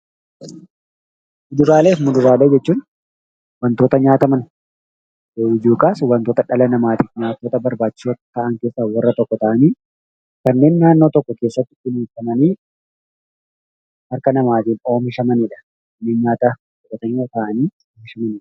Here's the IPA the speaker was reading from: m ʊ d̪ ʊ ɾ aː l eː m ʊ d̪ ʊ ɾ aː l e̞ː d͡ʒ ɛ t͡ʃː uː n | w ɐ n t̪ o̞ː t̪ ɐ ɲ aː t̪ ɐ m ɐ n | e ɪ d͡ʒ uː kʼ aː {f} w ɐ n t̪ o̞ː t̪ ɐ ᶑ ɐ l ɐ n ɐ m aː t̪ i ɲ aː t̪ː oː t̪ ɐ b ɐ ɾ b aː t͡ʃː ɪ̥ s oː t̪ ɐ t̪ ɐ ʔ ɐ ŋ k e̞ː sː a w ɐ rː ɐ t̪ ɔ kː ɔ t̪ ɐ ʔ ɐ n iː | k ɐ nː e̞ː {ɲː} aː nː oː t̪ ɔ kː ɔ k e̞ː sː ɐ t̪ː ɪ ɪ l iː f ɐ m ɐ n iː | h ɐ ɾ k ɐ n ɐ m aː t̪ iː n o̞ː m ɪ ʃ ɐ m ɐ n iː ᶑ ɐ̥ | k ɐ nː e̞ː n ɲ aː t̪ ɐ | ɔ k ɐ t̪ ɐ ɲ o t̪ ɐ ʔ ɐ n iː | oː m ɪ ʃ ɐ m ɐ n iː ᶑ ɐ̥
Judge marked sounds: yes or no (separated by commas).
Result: no, no